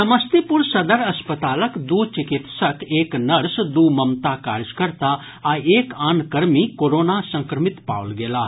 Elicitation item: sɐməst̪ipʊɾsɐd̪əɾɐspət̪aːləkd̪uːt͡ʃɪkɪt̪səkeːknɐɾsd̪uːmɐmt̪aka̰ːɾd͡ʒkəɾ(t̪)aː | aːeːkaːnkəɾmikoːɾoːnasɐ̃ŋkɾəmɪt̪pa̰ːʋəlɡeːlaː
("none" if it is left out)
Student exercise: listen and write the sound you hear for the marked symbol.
t̪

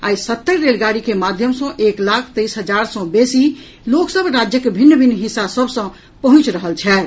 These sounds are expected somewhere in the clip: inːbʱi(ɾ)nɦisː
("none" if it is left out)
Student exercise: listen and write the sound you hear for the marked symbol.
none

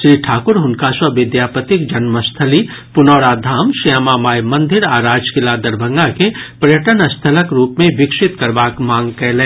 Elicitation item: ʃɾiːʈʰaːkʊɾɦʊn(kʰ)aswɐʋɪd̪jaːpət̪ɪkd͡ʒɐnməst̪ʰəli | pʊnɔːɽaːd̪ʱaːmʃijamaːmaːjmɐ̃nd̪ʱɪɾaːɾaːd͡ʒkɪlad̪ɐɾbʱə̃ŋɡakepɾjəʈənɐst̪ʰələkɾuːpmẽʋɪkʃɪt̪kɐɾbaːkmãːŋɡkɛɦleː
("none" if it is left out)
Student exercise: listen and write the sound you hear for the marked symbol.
k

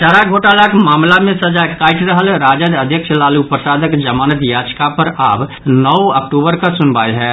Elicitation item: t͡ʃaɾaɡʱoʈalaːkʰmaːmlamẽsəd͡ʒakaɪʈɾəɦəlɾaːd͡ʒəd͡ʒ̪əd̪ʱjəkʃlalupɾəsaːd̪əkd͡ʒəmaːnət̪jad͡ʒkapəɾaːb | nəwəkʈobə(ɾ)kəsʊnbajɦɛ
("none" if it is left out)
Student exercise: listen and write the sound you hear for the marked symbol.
ɾ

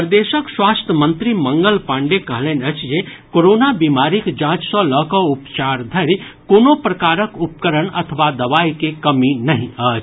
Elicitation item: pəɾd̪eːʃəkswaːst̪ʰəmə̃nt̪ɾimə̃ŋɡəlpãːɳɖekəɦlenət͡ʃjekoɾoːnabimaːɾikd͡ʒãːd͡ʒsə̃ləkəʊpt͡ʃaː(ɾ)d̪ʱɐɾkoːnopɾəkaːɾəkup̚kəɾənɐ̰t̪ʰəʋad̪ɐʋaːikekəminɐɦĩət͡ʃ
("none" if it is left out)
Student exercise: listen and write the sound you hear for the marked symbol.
ɾ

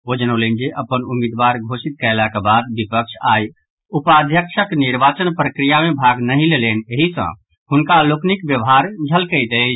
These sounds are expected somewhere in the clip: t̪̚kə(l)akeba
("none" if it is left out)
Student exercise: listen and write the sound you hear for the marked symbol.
l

